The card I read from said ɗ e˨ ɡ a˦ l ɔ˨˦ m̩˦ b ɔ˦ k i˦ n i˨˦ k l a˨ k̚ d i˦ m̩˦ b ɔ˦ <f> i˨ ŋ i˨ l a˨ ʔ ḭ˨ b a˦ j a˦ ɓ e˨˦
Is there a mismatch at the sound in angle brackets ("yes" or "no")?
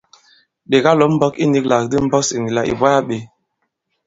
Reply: yes